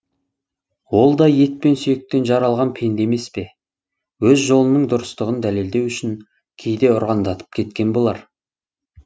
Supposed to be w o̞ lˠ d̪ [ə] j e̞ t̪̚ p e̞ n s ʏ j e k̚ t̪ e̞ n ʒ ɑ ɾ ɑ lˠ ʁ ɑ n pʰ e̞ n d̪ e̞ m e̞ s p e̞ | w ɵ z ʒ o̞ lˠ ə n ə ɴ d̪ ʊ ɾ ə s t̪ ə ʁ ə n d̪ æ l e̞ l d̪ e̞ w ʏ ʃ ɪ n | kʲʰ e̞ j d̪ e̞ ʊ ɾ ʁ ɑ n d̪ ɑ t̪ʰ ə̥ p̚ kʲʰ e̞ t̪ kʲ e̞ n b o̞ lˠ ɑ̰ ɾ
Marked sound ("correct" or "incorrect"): incorrect